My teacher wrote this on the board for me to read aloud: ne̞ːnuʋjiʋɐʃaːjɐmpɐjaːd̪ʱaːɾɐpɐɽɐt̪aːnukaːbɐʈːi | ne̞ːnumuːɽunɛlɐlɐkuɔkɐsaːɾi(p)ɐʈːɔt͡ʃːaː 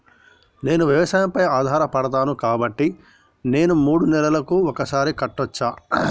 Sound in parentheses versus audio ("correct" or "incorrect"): incorrect